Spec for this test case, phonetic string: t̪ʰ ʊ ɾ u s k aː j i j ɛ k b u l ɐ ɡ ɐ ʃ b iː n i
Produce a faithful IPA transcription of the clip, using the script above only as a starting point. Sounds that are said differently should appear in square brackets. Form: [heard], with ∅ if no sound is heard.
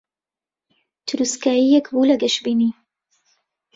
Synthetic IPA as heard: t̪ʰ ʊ ɾ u s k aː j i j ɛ k b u l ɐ ɡ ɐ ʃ b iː n i